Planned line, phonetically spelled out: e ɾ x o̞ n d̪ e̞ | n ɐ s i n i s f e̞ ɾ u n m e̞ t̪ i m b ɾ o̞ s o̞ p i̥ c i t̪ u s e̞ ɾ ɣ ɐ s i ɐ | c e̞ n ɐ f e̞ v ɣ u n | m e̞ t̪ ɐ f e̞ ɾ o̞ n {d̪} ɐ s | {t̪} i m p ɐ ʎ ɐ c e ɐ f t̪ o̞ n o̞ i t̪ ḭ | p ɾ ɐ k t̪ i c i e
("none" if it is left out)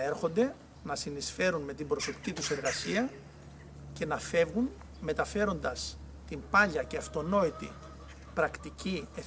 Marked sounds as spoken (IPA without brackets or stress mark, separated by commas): d̪, t̪